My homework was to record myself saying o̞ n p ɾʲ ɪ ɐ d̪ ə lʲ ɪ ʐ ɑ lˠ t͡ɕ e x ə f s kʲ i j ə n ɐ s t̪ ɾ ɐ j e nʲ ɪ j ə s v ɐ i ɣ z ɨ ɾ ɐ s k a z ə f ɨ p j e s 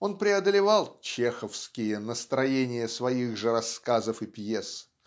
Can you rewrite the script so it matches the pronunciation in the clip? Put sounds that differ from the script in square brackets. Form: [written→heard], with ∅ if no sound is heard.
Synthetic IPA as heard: o̞ n p ɾʲ ɪ ɐ d̪ ə lʲ ɪ [ʐ→v] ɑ lˠ t͡ɕ e x ə f s kʲ [i→ɪ] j ə n [ɐ→ə] s t̪ ɾ ɐ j e nʲ ɪ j ə s v ɐ i ɣ [z→ʐ] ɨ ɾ ɐ s k a z ə f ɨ p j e s